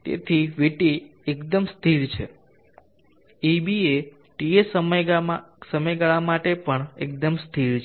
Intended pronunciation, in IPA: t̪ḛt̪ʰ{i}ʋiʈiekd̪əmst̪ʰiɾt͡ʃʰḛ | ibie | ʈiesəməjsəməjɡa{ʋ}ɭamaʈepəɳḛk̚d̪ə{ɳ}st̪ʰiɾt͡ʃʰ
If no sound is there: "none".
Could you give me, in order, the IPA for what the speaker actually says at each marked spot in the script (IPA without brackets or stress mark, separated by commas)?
i, none, m